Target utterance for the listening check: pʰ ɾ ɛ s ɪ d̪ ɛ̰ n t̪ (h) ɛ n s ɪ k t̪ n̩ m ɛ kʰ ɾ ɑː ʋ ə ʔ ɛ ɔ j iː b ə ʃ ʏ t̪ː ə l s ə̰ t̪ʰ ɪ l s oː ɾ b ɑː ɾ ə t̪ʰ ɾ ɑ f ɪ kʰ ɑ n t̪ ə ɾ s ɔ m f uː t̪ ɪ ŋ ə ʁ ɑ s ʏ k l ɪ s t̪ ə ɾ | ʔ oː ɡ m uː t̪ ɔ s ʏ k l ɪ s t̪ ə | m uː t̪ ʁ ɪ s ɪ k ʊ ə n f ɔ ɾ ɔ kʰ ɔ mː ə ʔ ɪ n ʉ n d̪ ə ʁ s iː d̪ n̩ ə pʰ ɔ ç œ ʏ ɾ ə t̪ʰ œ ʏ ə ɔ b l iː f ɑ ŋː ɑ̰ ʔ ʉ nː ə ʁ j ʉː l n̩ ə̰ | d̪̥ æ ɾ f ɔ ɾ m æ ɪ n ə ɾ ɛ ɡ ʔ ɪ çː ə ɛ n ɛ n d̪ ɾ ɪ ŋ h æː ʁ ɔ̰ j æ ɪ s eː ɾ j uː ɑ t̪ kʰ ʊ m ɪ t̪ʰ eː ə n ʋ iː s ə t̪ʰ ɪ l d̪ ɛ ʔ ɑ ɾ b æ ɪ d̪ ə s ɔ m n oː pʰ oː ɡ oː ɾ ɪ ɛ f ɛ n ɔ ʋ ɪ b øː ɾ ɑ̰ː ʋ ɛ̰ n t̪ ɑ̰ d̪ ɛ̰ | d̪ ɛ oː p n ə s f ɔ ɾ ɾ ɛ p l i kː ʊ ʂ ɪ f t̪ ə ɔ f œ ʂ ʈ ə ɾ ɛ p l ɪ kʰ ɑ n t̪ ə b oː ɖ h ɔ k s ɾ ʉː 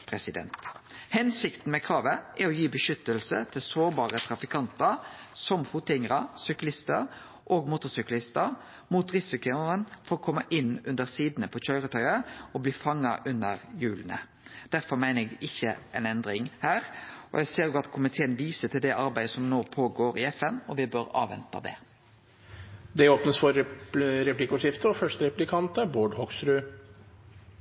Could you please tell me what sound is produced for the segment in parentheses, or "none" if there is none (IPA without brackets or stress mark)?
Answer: h